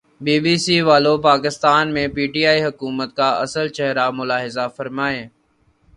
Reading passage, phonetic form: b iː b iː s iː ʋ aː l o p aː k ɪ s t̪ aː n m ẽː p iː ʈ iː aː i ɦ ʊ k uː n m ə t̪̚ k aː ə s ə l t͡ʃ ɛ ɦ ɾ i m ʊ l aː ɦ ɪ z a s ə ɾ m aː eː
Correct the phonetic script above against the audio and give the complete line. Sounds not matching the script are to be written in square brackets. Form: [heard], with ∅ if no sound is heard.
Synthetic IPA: b iː b iː s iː ʋ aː l o p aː k ɪ s t̪ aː n m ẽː p iː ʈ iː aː i ɦ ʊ k uː [∅] m ə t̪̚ k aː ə s ə l t͡ʃ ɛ ɦ ɾ [a] m ʊ l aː ɦ ɪ z a [f] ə ɾ m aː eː